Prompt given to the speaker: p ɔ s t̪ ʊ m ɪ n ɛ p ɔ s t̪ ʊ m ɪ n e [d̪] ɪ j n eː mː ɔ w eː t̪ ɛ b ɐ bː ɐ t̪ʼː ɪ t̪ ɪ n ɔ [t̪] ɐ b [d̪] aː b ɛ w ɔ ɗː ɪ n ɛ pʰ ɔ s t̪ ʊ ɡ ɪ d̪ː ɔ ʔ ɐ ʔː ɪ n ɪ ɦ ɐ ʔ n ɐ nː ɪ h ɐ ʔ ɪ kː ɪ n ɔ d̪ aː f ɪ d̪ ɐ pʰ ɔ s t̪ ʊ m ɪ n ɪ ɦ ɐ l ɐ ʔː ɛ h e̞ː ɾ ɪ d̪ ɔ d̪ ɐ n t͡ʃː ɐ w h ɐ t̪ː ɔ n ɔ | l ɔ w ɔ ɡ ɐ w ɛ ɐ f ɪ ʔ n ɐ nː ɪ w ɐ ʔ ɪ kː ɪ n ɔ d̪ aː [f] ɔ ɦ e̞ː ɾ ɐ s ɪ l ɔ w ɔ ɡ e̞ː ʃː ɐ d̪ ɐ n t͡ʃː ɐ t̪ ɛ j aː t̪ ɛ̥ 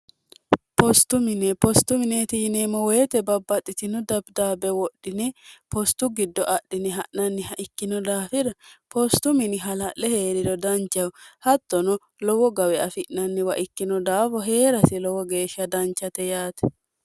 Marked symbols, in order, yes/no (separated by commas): no, no, yes, yes